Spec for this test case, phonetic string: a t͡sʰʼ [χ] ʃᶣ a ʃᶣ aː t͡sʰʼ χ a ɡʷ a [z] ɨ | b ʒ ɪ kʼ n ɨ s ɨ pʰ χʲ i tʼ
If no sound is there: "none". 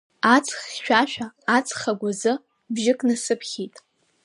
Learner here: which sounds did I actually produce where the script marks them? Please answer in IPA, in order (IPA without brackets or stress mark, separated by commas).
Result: χ, z